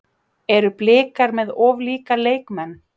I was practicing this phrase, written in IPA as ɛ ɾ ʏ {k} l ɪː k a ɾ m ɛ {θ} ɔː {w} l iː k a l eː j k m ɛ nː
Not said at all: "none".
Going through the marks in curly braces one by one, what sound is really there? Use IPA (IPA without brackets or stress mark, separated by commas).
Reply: p, ð, v